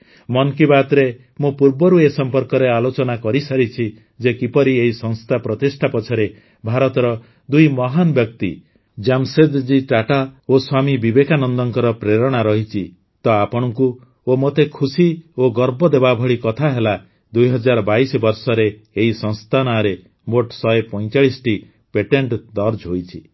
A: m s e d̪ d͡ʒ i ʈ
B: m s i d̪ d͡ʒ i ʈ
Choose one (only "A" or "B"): A